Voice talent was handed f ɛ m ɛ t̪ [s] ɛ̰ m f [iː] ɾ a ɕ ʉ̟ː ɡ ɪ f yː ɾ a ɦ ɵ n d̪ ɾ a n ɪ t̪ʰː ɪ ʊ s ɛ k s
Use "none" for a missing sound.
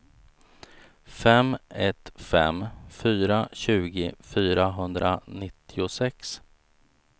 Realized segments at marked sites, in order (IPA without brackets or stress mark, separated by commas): f, yː